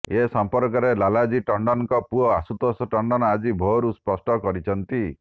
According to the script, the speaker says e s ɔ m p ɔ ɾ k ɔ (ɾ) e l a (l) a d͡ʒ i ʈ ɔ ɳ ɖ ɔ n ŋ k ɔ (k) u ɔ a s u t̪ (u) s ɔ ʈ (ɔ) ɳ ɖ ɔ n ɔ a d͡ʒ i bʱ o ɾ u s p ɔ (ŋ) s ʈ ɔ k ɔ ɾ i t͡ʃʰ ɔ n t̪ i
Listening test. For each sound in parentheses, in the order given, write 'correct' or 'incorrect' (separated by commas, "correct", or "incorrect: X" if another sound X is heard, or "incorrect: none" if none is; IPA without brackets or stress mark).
correct, correct, incorrect: p, incorrect: ɔ, correct, incorrect: none